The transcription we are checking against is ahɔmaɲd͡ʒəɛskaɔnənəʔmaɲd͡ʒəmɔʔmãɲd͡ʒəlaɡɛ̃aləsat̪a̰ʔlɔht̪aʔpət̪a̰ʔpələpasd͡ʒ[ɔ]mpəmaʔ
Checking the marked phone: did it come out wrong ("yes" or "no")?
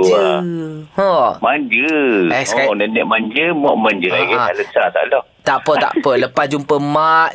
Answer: yes